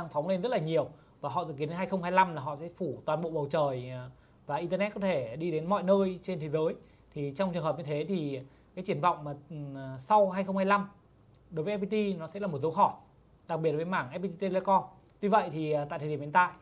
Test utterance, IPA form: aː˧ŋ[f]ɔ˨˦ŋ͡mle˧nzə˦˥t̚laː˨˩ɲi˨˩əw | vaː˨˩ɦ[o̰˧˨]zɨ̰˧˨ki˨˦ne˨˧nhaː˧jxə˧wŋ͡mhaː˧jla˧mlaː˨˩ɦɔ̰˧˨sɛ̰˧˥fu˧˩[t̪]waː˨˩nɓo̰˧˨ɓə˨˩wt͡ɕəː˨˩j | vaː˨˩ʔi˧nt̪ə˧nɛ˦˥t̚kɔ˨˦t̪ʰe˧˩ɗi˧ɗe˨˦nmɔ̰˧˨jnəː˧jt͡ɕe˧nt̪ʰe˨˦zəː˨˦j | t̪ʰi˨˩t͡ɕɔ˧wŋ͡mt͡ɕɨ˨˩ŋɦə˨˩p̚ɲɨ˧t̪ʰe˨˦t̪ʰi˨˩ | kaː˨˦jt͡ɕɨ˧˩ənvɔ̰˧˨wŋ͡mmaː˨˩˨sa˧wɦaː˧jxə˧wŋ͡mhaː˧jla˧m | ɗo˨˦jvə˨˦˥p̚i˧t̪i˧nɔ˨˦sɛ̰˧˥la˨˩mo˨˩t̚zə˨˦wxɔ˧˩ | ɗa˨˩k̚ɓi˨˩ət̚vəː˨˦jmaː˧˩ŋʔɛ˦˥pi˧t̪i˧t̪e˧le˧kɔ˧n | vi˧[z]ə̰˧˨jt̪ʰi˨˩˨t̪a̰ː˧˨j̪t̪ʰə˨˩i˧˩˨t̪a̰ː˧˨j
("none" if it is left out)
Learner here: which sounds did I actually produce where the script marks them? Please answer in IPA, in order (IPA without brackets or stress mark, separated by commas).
f, ɔ̰˧˨, t̪, v